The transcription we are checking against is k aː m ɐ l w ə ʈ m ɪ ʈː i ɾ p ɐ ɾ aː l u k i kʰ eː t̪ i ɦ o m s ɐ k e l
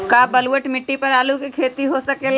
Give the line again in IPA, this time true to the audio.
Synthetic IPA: k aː b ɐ l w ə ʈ m ɪ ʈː i p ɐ ɾ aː l u k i kʰ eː t̪ i ɦ o s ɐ k e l